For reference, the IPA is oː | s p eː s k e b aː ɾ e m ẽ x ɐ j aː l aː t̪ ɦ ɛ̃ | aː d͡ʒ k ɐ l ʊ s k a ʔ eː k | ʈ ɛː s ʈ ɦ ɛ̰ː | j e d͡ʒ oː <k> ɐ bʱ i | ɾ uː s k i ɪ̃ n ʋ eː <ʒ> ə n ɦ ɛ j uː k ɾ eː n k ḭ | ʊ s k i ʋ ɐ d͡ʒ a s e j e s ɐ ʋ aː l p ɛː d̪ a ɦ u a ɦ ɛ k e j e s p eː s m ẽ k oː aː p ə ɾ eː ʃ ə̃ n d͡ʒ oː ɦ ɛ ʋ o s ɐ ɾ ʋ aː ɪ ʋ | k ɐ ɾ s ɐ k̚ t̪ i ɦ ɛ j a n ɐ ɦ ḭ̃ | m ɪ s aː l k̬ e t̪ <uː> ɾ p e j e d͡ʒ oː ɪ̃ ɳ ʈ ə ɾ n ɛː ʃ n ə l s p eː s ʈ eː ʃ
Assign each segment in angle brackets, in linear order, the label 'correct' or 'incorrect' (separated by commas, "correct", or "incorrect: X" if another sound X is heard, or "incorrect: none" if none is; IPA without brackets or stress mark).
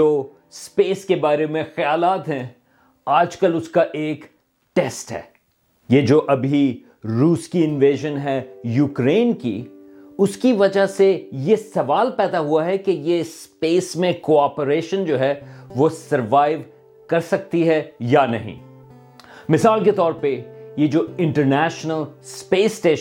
incorrect: ʔ, correct, incorrect: ɔː